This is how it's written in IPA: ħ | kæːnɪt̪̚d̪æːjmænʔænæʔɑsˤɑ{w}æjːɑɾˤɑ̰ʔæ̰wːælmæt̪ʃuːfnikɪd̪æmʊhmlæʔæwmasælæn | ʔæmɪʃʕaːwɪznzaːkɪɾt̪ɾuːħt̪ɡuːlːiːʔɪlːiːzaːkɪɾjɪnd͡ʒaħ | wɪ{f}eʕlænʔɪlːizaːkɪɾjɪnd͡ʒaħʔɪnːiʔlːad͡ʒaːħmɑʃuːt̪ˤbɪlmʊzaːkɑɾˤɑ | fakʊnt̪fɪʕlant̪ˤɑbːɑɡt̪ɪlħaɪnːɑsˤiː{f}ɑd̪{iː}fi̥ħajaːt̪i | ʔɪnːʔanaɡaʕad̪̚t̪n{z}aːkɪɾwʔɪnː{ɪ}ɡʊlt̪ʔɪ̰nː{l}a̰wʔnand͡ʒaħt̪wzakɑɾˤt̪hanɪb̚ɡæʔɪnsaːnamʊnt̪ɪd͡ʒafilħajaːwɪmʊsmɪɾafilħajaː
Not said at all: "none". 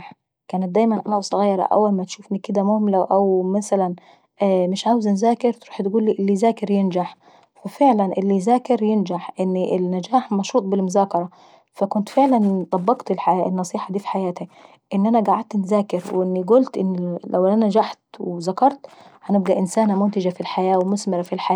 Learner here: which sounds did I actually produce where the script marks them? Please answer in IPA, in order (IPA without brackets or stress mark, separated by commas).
ɣ, f, ħ, iː, z, i, l